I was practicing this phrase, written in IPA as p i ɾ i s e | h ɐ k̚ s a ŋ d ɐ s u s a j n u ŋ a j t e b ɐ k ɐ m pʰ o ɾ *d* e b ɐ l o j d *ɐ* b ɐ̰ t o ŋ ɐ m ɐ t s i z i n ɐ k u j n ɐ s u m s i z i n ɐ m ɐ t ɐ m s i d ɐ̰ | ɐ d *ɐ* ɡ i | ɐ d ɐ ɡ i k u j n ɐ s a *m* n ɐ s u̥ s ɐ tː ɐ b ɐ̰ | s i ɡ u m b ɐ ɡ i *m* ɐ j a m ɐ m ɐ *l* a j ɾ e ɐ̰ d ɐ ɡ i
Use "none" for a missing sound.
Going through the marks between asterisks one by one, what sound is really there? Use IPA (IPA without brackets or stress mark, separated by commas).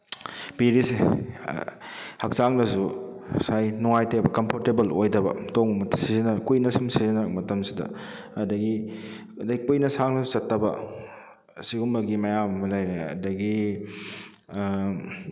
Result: t, ɐ, ɐ, ŋ, m, l